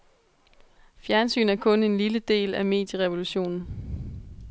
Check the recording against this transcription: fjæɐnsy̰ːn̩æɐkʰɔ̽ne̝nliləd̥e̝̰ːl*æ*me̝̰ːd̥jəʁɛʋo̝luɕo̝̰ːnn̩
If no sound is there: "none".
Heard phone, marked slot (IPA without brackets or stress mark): æ